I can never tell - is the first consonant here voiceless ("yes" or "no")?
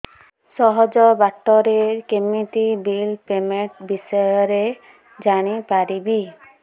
yes